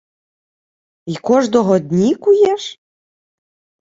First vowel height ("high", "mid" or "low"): high